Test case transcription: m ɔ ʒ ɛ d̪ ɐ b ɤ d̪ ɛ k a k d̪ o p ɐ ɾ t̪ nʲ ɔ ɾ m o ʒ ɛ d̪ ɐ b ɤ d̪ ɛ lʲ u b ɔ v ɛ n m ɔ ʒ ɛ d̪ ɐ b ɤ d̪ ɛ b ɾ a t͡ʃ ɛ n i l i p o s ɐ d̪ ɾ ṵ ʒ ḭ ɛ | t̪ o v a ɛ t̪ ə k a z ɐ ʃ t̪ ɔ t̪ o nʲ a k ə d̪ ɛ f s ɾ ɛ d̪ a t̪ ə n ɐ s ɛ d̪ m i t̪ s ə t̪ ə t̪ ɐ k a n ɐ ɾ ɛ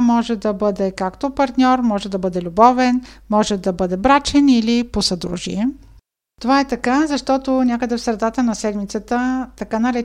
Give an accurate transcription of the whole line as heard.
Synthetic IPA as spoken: m ɔ ʒ ɛ d̪ ɐ b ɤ d̪ ɛ k a k t̪ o p ɐ ɾ t̪ nʲ ɔ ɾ m ɔ ʒ ɛ d̪ ɐ b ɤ d̪ ɛ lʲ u b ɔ v ɛ n m ɔ ʒ ɛ d̪ ɐ b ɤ d̪ ɛ b ɾ a t͡ʃ ɛ n i l i p o s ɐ d̪ ɾ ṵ ʒ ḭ ɛ | t̪ o v a ɛ t̪ ɐ k a z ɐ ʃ t̪ ɔ t̪ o nʲ a k ə d̪ ɛ f s ɾ ɛ d̪ a t̪ ə n ɐ s ɛ d̪ m i t̪ s ə t̪ ə t̪ ɐ k a n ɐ ɾ ɛ